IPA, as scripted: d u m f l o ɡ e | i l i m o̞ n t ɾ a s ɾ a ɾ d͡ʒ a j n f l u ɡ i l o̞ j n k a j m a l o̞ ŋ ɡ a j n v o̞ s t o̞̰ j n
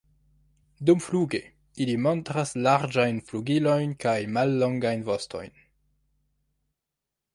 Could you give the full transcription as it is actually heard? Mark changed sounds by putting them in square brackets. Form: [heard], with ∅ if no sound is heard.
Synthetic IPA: d u m f l [u] ɡ e | i l i m o̞ n t ɾ a s [l] a ɾ d͡ʒ a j n f l u ɡ i l o̞ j n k a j m a [lː] o̞ ŋ ɡ a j n v o̞ s t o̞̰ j n